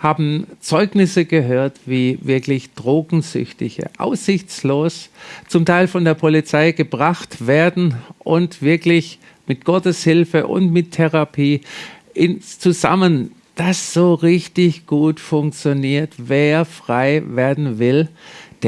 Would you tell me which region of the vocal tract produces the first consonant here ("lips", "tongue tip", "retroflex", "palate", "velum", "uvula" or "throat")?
throat